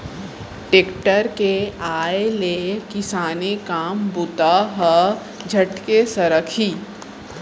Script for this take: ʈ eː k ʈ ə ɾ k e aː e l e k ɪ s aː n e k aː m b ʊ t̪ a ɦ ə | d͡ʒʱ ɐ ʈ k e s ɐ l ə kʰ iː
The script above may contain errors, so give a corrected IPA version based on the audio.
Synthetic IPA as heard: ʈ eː k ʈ ə ɾ k e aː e l e k ɪ s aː n e k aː m b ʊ t̪ a ɦ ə | d͡ʒʱ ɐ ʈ k e s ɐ ɾ ə kʰ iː